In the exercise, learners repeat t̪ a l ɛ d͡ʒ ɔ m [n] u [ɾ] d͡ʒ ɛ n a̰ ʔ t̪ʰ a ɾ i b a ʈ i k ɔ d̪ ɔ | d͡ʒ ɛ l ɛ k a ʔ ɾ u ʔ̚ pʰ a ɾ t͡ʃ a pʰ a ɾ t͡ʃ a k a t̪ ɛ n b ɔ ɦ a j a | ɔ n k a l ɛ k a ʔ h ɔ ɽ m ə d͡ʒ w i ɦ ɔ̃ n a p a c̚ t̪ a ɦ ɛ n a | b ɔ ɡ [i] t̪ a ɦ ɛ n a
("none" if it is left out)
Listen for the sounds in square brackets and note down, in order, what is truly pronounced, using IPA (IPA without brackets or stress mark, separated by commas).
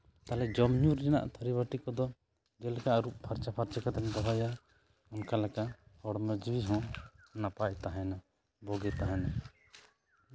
ɲ, ɾ, ɛ